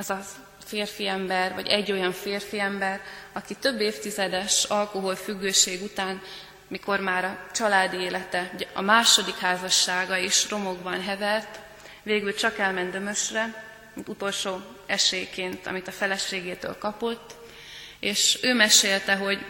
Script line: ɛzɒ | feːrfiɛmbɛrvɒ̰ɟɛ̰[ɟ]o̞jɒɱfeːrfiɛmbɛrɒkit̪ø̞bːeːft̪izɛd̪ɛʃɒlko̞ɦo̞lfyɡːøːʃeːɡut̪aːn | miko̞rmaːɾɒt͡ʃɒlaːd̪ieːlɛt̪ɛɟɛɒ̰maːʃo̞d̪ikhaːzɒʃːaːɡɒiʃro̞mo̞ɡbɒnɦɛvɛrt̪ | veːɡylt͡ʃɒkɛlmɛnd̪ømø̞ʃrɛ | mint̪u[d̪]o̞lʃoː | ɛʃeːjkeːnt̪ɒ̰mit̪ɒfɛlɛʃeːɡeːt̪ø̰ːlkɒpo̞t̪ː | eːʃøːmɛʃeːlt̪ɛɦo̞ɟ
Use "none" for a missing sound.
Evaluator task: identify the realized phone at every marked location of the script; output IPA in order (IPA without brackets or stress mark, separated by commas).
ɟː, t̪